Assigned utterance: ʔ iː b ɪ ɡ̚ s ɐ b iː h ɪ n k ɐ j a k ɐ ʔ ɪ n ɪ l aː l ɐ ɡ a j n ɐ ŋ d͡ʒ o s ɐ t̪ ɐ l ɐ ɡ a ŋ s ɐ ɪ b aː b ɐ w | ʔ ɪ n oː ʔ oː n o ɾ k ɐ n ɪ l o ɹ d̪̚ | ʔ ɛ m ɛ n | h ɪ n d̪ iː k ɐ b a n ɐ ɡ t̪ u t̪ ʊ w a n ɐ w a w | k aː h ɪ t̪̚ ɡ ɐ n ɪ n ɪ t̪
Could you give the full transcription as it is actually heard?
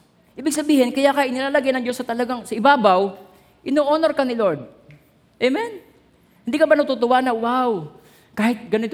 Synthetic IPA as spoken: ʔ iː b ɪ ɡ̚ s ɐ b iː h ɪ n k ɐ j a k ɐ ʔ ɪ n ɪ l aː l ɐ ɡ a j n ɐ ŋ d͡ʒ o s ɐ t̪ ɐ l ɐ ɡ a ŋ s ɐ ɪ b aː b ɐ w | ʔ ɪ n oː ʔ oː n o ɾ k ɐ n ɪ l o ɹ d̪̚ | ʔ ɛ m ɛ n | h ɪ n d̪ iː k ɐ b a n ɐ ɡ t̪ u t̪ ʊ w a n ɐ w a w | k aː h ɪ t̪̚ ɡ ɐ n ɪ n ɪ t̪